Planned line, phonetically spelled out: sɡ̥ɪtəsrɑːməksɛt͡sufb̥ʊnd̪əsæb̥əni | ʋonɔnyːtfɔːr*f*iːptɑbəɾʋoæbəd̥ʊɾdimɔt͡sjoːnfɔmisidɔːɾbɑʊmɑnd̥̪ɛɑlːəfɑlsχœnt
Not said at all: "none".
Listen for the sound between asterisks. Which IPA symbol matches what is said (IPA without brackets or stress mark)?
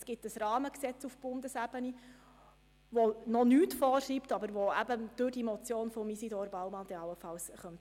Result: ʃ